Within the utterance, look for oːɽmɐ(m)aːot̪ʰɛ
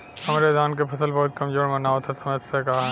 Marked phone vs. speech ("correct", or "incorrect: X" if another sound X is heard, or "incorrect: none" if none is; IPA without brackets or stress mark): incorrect: n